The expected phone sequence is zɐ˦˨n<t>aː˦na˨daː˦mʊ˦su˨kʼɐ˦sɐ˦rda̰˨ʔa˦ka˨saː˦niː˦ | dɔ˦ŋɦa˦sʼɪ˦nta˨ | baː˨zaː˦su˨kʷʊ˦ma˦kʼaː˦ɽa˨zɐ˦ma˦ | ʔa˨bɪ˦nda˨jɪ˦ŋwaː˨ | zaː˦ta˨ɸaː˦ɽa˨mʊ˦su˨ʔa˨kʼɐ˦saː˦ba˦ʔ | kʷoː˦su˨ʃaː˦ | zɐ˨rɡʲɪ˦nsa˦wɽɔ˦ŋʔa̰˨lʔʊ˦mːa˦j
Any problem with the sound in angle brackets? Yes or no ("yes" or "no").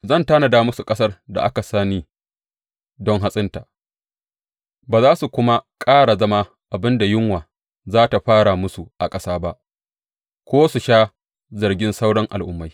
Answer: no